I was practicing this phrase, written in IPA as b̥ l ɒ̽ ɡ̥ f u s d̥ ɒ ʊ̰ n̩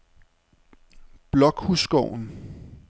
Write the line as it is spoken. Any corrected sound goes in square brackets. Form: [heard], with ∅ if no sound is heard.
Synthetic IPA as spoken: b̥ l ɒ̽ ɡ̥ [h] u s [ɡ̥] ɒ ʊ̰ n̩